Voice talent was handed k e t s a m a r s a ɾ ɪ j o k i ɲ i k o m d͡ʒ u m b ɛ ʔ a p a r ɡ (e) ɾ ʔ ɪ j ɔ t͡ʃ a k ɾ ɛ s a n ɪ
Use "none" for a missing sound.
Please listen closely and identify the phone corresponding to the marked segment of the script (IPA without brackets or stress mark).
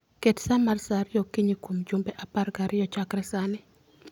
a